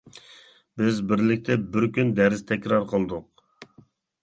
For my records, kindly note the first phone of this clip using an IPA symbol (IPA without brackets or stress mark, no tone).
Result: b